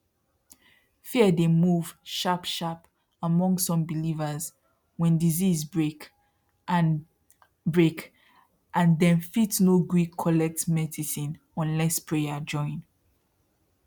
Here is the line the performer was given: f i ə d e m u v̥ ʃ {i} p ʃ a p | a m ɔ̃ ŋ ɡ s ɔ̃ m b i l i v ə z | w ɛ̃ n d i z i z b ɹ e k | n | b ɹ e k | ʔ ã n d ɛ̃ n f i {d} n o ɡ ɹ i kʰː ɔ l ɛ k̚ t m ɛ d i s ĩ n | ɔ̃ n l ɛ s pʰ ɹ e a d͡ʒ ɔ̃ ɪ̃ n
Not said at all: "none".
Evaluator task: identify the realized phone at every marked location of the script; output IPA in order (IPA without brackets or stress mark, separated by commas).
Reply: a, t